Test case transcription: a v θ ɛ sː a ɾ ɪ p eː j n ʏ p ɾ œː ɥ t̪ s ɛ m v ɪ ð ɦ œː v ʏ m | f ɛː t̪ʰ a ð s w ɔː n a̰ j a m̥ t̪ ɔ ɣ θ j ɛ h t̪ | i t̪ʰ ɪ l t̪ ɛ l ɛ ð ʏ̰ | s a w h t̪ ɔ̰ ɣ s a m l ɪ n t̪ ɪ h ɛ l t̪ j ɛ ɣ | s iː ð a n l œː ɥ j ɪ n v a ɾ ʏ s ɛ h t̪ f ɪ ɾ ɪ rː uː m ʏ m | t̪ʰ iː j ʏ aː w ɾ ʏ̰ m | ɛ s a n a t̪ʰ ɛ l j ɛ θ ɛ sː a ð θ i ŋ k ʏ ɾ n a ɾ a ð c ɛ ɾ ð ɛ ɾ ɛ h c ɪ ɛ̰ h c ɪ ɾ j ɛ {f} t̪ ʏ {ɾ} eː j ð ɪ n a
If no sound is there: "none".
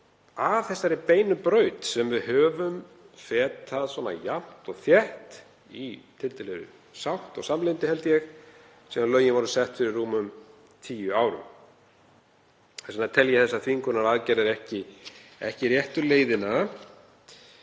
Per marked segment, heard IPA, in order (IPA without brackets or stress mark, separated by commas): h, l